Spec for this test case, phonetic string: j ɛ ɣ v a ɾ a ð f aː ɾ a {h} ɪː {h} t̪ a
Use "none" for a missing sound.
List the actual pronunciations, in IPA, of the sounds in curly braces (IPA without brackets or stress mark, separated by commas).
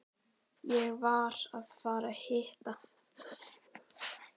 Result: h, h